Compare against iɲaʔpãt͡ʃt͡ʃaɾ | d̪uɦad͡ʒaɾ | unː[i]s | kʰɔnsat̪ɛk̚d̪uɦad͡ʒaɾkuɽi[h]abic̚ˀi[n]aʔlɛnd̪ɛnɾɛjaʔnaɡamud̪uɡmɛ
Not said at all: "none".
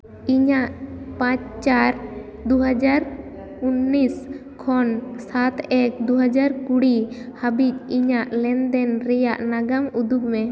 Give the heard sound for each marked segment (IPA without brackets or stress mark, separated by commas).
i, h, ɲ